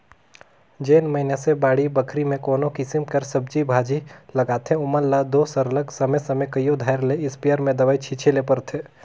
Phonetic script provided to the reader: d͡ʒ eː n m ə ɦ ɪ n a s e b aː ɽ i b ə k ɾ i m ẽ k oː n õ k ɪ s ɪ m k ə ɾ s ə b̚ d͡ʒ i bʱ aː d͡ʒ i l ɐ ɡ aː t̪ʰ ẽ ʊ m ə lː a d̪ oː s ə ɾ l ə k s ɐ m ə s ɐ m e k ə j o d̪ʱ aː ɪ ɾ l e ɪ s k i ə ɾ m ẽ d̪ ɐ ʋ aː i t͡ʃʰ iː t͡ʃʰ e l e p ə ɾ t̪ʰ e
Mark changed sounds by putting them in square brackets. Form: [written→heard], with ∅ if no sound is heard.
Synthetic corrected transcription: d͡ʒ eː n m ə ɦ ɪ n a s e b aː ɽ i b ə [k→kʰ] ɾ i m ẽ k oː n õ k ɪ s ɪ m k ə ɾ s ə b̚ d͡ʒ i bʱ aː d͡ʒ i l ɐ ɡ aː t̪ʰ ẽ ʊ m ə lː a d̪ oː s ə ɾ l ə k s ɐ m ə s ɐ m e k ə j o d̪ʱ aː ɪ ɾ l e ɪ s [k→p] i ə ɾ m ẽ d̪ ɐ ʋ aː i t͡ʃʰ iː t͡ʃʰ e l e p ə ɾ t̪ʰ e